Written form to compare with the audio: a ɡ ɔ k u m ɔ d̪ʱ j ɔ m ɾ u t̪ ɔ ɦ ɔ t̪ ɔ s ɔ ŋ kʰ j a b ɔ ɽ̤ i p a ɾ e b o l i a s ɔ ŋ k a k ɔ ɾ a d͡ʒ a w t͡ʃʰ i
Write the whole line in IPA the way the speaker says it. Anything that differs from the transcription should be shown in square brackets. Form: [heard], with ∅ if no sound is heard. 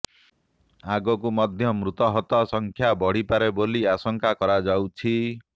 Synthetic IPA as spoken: a ɡ ɔ k u m ɔ d̪ʱ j ɔ m ɾ u t̪ ɔ ɦ ɔ t̪ ɔ s ɔ ŋ kʰ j a b ɔ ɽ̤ i p a ɾ e b o l i a s ɔ ŋ k a k ɔ ɾ a d͡ʒ a w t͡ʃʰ i